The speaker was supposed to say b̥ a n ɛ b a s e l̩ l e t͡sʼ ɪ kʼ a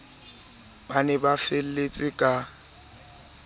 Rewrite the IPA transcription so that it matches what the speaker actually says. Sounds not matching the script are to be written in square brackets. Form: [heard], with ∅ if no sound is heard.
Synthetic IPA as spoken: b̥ a n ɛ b a [f] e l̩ l e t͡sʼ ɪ kʼ a